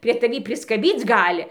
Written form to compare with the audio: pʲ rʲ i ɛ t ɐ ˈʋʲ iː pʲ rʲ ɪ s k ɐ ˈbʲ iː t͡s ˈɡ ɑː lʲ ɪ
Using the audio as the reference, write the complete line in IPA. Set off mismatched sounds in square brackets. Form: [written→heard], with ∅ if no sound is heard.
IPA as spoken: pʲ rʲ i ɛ t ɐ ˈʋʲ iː pʲ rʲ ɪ s k ɐ ˈbʲ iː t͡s ˈɡ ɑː lʲ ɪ